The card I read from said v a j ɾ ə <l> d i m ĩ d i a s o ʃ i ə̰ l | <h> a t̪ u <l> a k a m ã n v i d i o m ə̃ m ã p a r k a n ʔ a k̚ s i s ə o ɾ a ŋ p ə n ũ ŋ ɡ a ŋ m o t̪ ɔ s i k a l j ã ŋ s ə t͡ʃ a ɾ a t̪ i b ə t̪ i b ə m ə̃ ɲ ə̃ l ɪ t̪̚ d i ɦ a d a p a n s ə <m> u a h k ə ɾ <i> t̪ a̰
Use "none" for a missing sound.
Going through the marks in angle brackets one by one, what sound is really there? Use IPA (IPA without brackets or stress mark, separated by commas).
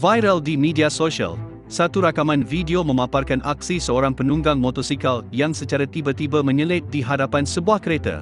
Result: l, s, ɾ, b, e